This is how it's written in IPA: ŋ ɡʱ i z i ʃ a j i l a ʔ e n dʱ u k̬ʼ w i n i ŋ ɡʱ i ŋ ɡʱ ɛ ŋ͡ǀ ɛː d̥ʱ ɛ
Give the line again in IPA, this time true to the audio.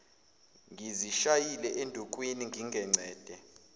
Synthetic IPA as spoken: ŋ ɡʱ i z i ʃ a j i l ɛ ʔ e n dʱ u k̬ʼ w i n i ŋ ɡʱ i ŋ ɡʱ ɛ ŋ͡ǀ ɛː d̥ʱ ɛ